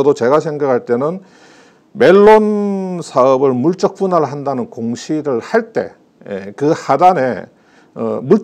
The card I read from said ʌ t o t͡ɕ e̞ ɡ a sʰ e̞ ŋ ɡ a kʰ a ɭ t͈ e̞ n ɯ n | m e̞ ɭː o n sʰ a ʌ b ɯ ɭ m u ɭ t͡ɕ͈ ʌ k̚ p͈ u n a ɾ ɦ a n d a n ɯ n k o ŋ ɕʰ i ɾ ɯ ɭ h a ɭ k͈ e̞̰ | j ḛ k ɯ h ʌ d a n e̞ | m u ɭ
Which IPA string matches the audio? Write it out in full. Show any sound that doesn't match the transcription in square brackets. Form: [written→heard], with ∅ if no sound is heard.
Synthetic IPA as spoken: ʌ [t→d] o t͡ɕ e̞ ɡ a sʰ e̞ ŋ ɡ a kʰ a ɭ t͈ e̞ n ɯ n | m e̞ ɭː o n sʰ a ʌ b ɯ ɭ m u ɭ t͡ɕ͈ ʌ k̚ p͈ u n a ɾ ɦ a n d a n ɯ n k o ŋ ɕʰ i ɾ ɯ ɭ h a ɭ [k͈→t͈] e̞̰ | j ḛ k ɯ h [ʌ→a] d a n e̞ | m u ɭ